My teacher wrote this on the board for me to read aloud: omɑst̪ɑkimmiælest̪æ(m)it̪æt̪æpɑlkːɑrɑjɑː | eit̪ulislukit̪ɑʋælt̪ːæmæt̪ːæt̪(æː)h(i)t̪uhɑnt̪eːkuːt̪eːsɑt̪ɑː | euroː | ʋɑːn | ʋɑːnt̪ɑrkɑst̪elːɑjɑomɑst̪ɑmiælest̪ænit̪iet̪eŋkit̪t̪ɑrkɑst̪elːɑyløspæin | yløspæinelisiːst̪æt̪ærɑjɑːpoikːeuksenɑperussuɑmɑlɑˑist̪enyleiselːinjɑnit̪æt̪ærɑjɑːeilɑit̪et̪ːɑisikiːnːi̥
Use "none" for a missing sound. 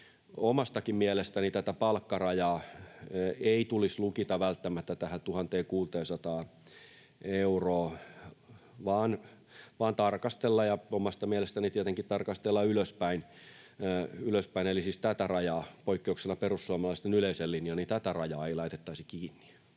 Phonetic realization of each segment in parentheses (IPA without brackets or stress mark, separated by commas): n, æ, æ